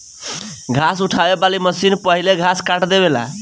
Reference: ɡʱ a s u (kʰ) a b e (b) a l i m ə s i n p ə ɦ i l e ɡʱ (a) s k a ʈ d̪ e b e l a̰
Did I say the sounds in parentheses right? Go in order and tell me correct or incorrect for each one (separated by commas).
incorrect, correct, correct